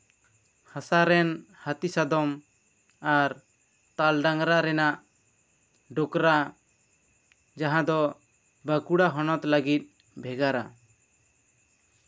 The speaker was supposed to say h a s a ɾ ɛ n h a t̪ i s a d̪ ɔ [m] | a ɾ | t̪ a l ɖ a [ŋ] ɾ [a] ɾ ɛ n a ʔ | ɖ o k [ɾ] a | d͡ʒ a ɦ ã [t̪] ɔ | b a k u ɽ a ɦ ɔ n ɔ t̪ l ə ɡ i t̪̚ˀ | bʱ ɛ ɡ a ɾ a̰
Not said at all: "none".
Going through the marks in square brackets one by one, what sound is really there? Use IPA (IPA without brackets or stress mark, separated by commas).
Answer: m, ŋ, a, ɾ, d̪